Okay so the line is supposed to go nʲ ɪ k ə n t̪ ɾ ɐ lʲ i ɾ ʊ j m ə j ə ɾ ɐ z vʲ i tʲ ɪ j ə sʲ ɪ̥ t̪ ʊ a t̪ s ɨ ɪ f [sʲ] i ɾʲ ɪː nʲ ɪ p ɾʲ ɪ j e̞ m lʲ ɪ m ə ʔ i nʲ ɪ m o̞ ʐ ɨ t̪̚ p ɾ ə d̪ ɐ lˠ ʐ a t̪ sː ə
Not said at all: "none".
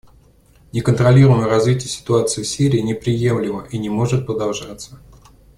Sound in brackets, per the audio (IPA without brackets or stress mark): sʲ